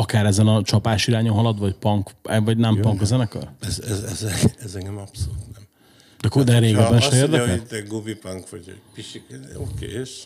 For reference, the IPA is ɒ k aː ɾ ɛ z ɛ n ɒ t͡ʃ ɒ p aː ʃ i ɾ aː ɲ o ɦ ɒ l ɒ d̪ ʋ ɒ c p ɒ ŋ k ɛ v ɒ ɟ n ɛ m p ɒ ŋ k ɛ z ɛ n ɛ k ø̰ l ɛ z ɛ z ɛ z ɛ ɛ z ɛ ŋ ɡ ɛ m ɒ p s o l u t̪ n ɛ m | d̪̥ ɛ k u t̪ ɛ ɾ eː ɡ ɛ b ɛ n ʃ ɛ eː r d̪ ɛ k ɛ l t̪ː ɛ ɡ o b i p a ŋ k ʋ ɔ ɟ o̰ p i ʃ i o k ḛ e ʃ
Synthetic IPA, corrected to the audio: ɒ k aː ɾ ɛ z ɛ n ɒ t͡ʃ ɒ p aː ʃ i ɾ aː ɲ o ɦ ɒ l ɒ d̪ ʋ ɒ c p ɒ ŋ k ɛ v ɒ ɟ n ɛ m p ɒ ŋ k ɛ z ɛ n ɛ k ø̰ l ɛ z ɛ z ɛ z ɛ ɛ z ɛ ŋ ɡ ɛ m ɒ p s o l u t̪ n ɛ m | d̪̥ ɛ k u d̪ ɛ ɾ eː ɡ ɛ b ɛ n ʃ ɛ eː r d̪ ɛ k ɛ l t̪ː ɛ ɡ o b i p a ŋ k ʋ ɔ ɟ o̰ p i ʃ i o k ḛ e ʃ